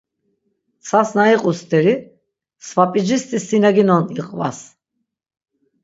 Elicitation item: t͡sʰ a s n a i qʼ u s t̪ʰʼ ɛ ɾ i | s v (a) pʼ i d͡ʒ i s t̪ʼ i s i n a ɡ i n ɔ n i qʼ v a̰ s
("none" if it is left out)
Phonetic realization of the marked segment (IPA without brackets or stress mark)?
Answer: a